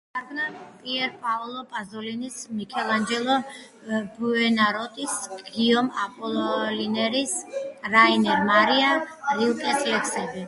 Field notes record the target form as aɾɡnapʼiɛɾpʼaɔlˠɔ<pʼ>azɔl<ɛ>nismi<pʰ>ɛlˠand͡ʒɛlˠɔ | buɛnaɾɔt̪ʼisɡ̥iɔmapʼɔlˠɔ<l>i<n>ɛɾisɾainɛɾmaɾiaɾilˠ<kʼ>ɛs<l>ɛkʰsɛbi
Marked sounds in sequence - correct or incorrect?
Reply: correct, incorrect: i, incorrect: kʰ, correct, correct, correct, correct

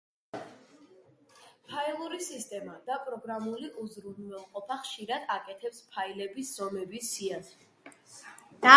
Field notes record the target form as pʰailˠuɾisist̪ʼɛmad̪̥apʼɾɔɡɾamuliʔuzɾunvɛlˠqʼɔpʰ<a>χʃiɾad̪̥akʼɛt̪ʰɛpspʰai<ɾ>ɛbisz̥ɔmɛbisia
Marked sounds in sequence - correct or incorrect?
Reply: correct, incorrect: l

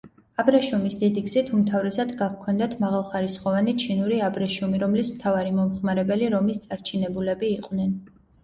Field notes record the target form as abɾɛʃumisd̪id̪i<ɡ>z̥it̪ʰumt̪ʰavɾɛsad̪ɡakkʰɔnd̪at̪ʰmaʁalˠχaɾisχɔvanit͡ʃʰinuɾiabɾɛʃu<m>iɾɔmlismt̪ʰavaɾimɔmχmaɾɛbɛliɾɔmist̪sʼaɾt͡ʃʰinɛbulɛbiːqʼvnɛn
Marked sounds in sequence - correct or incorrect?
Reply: correct, correct

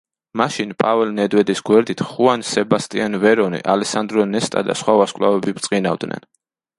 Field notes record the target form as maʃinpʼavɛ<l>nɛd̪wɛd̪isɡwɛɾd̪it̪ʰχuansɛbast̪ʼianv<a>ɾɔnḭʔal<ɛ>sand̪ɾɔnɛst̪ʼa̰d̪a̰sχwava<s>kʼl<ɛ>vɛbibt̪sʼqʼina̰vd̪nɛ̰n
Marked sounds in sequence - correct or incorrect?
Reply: correct, incorrect: ɛ, correct, correct, incorrect: a

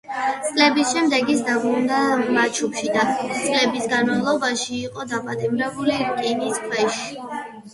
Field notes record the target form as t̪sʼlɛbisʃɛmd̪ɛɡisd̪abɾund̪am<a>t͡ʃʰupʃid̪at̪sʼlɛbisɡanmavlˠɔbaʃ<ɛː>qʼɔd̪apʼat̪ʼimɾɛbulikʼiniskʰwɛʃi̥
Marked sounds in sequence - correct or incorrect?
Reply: correct, incorrect: iː

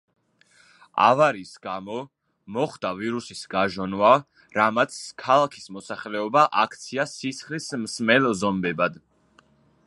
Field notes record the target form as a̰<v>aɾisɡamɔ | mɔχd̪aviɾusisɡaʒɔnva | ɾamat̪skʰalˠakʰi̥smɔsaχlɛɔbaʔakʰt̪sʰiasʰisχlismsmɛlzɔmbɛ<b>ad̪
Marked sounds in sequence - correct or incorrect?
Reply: correct, correct

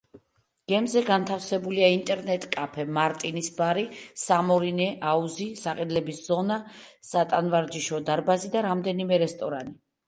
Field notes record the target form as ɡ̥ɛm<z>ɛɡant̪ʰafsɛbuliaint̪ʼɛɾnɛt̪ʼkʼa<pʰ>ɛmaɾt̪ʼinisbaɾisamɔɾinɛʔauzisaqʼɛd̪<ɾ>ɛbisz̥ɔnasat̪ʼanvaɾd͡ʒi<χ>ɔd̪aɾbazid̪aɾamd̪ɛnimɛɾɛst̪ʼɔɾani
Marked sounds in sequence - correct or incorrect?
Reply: correct, correct, incorrect: l, incorrect: ʃ

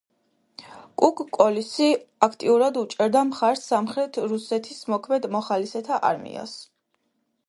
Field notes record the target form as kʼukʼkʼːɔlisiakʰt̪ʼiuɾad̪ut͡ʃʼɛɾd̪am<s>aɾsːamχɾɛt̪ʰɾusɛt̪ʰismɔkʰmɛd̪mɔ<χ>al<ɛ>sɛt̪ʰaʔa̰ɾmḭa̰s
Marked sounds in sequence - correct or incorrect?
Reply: incorrect: χ, correct, incorrect: i

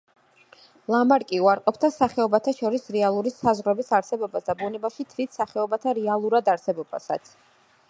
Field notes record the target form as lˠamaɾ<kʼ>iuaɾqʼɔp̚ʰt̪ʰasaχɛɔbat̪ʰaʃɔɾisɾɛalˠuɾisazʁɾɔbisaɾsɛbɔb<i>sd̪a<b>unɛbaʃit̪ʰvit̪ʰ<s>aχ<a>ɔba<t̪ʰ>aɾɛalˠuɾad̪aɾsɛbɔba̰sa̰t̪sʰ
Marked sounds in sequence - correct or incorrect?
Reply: correct, incorrect: a, correct, correct, incorrect: ɛ, correct

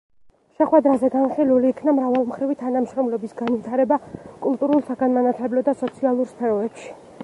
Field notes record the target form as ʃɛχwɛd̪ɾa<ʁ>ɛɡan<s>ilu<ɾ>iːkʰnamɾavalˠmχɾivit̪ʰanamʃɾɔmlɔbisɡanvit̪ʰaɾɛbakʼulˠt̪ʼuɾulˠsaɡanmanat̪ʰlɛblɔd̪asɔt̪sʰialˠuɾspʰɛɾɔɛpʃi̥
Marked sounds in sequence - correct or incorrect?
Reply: incorrect: z, incorrect: χ, incorrect: l

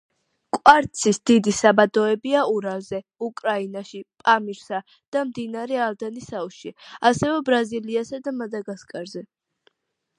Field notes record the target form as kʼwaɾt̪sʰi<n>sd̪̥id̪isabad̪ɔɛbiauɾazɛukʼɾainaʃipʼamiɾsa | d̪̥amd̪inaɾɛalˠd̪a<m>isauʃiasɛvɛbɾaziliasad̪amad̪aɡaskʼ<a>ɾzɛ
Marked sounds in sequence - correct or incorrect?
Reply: incorrect: none, incorrect: n, correct

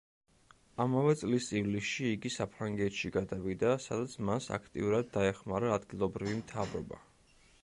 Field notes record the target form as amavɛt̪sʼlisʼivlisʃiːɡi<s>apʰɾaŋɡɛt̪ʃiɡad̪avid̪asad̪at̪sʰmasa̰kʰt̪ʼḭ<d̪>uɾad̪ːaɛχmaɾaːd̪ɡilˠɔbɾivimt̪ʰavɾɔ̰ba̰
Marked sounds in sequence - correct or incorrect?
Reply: correct, incorrect: none

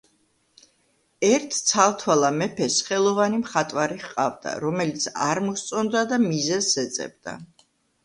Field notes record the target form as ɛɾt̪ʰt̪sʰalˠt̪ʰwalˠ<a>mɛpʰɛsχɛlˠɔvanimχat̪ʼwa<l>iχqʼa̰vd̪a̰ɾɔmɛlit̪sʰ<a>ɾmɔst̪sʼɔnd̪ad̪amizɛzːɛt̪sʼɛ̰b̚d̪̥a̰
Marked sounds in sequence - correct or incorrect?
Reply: correct, incorrect: ɾ, correct

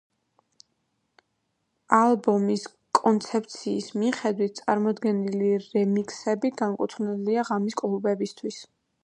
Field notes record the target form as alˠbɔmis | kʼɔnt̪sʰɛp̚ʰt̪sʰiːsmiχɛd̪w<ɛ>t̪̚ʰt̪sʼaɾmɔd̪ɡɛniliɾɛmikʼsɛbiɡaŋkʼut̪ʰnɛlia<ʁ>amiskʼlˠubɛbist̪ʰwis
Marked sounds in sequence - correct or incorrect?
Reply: incorrect: i, correct

